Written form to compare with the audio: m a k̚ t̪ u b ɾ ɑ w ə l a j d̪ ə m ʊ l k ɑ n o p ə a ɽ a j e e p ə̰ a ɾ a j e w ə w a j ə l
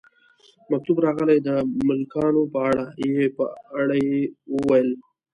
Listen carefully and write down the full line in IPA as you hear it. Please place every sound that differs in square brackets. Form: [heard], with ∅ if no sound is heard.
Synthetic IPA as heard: m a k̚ t̪ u b ɾ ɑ [ɣ] ə l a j d̪ ə m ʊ l k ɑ n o p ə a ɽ a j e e p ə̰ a [ɽ] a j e w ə w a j ə l